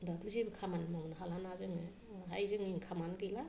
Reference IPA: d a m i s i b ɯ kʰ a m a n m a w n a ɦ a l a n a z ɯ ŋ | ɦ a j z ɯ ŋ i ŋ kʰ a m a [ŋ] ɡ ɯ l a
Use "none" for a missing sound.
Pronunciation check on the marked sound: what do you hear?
n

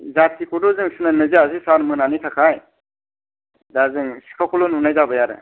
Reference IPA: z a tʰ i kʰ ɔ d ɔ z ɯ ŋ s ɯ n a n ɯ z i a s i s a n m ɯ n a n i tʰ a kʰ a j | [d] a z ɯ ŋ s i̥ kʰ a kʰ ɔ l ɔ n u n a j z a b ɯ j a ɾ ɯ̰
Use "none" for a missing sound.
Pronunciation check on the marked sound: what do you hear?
d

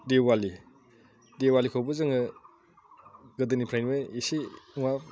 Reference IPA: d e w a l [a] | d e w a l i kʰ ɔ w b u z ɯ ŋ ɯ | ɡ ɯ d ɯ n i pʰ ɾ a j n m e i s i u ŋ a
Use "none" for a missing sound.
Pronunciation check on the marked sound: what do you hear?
i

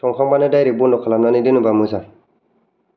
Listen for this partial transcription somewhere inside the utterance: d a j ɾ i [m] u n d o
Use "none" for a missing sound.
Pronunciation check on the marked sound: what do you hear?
b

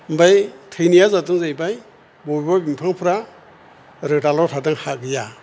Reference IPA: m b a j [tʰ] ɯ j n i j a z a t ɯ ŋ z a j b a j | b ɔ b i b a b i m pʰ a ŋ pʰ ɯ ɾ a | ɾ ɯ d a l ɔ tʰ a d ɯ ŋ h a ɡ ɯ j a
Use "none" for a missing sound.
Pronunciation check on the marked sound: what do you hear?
tʰ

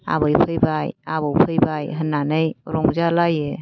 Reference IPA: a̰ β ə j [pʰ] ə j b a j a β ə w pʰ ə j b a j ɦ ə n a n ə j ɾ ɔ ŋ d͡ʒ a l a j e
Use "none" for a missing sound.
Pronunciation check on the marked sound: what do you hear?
pʰ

